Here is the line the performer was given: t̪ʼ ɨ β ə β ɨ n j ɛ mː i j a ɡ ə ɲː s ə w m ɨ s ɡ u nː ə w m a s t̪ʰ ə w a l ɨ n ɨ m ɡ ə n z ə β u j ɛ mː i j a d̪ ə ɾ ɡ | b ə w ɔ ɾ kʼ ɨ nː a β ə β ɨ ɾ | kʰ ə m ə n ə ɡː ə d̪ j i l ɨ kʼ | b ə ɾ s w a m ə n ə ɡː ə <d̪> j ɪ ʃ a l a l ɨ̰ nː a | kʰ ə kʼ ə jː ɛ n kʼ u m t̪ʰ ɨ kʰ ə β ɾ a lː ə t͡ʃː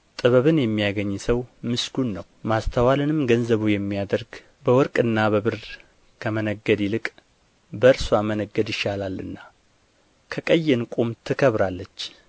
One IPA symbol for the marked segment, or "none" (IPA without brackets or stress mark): d̪